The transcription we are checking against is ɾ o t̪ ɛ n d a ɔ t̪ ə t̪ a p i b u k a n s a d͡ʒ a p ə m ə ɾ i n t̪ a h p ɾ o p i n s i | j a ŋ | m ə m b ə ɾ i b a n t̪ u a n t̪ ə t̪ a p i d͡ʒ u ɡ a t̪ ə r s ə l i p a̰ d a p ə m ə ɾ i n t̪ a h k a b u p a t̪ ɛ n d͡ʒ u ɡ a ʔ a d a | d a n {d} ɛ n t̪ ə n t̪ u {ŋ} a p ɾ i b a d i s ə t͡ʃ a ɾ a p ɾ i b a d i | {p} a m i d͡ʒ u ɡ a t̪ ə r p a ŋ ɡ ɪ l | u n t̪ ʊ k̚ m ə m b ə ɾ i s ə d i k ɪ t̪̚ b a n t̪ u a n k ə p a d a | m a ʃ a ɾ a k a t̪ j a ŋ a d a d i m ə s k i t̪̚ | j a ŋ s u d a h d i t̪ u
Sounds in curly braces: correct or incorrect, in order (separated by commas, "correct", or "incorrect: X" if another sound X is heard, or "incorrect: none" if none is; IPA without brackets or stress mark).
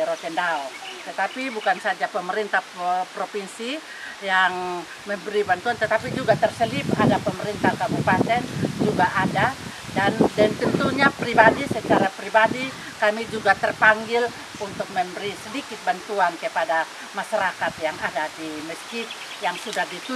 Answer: correct, incorrect: ɲ, incorrect: k